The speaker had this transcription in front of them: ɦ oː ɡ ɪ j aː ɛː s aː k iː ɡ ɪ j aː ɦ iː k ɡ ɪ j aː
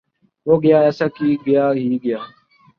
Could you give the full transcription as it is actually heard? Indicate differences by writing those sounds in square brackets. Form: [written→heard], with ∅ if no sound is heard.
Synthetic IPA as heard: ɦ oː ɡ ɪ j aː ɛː s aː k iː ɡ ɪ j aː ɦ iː [k→∅] ɡ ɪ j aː